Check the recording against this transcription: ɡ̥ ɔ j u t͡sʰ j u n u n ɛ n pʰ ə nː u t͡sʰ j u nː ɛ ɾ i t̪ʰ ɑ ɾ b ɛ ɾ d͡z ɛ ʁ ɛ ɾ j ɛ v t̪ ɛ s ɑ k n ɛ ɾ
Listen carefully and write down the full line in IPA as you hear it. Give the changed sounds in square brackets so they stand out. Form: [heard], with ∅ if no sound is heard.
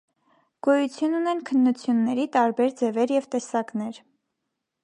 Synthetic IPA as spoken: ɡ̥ ɔ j u t͡sʰ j u n u n ɛ n [kʰ] ə nː u t͡sʰ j u nː ɛ ɾ i [t̪] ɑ ɾ b ɛ ɾ d͡z ɛ [v] ɛ ɾ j ɛ v t̪ ɛ s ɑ k n ɛ ɾ